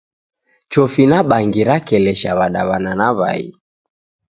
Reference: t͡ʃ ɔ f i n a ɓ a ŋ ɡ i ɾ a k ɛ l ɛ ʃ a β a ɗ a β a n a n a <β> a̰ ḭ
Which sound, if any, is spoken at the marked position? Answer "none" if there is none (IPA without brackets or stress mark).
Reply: β